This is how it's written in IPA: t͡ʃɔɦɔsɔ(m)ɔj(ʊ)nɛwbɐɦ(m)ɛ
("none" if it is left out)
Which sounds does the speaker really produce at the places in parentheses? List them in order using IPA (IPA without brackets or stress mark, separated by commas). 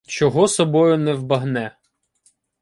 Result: b, ʊ, n